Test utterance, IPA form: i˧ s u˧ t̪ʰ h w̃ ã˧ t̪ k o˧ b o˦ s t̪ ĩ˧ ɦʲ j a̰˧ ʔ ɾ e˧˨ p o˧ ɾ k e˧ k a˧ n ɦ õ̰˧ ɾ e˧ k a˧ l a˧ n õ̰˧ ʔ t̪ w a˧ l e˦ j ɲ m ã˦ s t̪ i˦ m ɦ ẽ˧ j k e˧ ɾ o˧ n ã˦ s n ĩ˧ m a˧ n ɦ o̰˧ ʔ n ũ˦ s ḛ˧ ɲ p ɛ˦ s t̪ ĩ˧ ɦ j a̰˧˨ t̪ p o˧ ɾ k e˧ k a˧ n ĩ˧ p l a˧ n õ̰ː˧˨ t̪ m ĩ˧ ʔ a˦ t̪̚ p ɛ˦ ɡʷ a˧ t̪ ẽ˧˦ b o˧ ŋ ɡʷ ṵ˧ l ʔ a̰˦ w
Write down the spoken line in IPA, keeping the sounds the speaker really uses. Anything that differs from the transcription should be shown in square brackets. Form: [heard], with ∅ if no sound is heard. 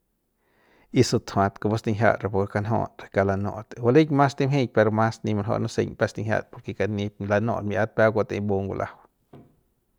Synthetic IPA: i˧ s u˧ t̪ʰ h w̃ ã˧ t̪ k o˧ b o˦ s t̪ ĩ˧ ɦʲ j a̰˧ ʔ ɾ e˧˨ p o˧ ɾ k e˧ k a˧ n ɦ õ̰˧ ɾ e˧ k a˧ l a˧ n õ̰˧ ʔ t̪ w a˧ l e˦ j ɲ m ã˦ s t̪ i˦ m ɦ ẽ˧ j [p] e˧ ɾ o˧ [m] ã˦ s n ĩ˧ m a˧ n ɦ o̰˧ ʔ n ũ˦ s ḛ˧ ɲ p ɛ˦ s t̪ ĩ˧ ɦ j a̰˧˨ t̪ p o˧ ɾ k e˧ k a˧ n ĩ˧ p l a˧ n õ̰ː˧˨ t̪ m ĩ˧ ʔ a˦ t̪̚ p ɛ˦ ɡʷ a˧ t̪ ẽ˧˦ b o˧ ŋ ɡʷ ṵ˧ l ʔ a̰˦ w

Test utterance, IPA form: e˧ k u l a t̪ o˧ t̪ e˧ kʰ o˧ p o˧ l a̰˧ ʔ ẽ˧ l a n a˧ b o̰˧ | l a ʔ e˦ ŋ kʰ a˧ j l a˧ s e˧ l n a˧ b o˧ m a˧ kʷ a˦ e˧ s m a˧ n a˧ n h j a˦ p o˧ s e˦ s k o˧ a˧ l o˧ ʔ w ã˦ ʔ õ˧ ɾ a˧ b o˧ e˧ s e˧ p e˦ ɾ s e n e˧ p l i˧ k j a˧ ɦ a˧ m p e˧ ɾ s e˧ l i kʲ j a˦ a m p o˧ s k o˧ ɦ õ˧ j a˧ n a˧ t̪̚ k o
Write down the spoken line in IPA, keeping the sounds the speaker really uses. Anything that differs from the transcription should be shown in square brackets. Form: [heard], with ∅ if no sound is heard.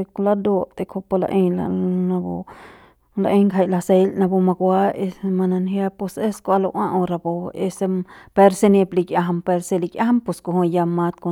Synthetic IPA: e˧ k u l a [d̪] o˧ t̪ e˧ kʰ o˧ p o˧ l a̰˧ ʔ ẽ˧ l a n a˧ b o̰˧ | l a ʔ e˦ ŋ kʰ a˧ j l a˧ s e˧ l n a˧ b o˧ m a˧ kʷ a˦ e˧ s m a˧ n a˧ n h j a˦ p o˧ s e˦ s k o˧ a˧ l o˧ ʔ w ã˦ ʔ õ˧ ɾ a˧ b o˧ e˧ s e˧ p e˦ ɾ s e n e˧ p l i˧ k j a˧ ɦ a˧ m p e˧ ɾ s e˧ l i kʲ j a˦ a m p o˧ s k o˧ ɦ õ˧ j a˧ [m] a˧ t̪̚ k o

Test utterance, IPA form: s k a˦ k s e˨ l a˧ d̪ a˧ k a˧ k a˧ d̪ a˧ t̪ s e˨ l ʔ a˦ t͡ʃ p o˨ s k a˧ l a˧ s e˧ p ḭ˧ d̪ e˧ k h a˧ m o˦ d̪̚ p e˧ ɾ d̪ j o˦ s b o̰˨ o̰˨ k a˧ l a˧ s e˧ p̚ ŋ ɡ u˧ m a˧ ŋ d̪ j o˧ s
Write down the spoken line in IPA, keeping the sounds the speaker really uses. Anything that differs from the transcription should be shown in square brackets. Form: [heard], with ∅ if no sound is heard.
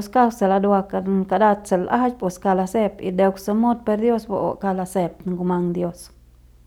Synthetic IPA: s k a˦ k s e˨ l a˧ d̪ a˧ k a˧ k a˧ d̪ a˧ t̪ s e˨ l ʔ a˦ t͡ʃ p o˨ s k a˧ l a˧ s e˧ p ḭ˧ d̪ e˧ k [s] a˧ m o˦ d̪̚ p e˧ ɾ d̪ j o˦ s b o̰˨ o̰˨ k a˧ l a˧ s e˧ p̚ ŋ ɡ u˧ m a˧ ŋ d̪ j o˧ s

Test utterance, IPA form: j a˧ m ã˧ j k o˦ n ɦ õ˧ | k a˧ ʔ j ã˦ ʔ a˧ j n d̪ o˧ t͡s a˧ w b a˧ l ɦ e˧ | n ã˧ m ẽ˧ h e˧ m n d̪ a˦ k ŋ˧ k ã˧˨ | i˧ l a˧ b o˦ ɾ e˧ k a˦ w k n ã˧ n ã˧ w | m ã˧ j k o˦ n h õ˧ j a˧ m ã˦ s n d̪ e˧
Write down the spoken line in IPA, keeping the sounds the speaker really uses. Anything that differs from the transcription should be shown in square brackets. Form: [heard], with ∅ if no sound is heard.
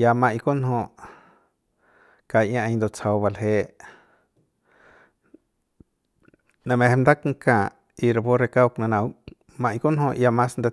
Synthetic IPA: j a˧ m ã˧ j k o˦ n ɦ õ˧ | k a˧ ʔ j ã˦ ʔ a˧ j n d̪ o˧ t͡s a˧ w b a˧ l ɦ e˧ | n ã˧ m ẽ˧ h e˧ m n d̪ a˦ k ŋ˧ k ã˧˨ | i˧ [ɾ] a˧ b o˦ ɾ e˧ k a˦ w k n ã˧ n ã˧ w | m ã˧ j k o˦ n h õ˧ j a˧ m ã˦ s n d̪ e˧

